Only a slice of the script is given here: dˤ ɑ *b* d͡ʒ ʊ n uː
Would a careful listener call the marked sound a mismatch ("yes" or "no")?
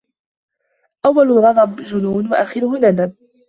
no